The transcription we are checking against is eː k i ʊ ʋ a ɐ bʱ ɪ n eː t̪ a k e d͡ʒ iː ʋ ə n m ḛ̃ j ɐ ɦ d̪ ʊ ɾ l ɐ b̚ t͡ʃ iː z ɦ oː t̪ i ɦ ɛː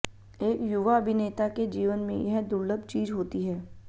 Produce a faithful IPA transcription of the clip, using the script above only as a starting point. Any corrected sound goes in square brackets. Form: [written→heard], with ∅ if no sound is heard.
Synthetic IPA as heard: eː k [i→j] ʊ ʋ a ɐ bʱ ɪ n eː t̪ a k e d͡ʒ iː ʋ ə n m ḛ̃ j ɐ ɦ d̪ ʊ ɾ l [ɐ→ə] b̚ t͡ʃ iː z ɦ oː t̪ i ɦ ɛː

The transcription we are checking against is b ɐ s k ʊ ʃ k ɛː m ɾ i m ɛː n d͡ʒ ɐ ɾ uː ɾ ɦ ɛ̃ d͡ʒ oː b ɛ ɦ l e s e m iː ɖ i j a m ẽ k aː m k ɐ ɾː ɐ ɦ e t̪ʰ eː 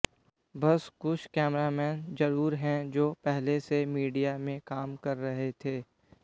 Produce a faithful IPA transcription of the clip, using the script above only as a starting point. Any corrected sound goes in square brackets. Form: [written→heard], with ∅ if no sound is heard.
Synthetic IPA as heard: b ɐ s k ʊ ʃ k ɛː m ɾ [i→a] m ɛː n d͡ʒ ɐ ɾ uː ɾ ɦ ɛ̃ d͡ʒ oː [b→p] ɛ ɦ l e s e m iː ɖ i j a m ẽ k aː m k ɐ ɾː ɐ ɦ e t̪ʰ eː

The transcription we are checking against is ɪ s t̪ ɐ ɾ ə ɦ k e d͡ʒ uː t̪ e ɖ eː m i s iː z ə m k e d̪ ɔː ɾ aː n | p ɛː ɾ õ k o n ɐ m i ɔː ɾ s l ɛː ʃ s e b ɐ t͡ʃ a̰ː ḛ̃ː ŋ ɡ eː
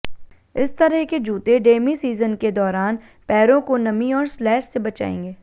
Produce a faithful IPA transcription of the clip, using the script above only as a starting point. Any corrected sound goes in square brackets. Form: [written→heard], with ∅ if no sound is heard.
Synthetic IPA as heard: ɪ s t̪ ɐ ɾ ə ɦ k e d͡ʒ uː t̪ e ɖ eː m i s iː z ə [m→n] k e d̪ ɔː ɾ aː n | p ɛː ɾ õ k o n ɐ m i ɔː ɾ s l ɛː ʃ s e b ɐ t͡ʃ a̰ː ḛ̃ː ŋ ɡ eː

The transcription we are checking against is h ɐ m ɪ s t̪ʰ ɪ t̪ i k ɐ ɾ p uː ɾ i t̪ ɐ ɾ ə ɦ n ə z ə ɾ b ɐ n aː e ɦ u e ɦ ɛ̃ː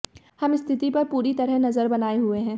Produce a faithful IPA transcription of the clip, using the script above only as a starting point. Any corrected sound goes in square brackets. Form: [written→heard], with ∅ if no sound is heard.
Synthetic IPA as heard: h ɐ m ɪ s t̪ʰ ɪ t̪ i [k→p] ɐ ɾ p uː ɾ i t̪ ɐ ɾ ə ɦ n [ə→ɐ] z ə ɾ b ɐ n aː e ɦ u e ɦ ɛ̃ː

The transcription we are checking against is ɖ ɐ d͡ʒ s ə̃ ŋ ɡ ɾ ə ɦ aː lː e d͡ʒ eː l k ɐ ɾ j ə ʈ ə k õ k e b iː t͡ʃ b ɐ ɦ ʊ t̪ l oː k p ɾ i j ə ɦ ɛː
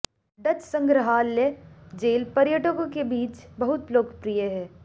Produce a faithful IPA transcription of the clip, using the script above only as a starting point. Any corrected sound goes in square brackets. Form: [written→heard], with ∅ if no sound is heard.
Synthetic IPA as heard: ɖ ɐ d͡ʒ s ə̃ ŋ ɡ ɾ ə ɦ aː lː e d͡ʒ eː l [k→p] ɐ ɾ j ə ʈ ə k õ k e b iː t͡ʃ b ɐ ɦ ʊ t̪ l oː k p ɾ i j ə ɦ ɛː

